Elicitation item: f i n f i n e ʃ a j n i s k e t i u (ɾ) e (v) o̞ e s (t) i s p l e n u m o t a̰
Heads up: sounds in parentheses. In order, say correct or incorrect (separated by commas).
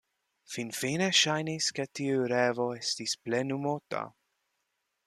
correct, correct, correct